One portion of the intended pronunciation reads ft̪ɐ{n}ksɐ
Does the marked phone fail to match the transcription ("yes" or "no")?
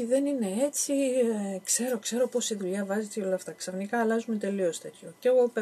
yes